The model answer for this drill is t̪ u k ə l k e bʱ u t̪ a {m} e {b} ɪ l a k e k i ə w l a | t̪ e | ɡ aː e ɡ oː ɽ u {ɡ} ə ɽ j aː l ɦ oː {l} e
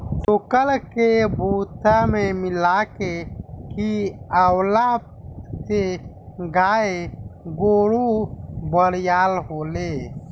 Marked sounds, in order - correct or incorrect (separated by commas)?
correct, incorrect, incorrect, correct